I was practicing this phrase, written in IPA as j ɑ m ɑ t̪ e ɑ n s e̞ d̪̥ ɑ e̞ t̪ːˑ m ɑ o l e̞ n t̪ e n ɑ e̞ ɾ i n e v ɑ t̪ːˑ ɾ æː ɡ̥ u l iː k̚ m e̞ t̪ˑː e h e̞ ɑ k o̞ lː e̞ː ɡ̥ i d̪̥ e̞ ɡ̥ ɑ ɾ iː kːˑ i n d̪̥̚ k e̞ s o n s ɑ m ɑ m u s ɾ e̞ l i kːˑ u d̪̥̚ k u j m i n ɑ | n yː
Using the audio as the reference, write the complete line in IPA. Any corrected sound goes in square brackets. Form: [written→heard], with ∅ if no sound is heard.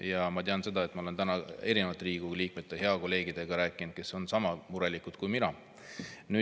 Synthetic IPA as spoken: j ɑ m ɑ t̪ e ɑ n s e̞ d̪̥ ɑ e̞ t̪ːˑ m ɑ o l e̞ n t̪ [e→æ] n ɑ e̞ ɾ i n e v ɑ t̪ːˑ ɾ [æː→iː] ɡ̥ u l iː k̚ m e̞ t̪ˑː e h e̞ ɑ k o̞ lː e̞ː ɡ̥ i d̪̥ e̞ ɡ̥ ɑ ɾ [iː→æː] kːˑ i n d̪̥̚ k e̞ s o n s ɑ m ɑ m u [s→∅] ɾ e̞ l i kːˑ u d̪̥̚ k u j m i n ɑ | n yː